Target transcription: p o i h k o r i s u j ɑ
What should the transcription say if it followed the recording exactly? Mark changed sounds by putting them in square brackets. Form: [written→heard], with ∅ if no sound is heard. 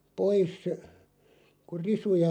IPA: p o i [h→s] k [o→u] r i s u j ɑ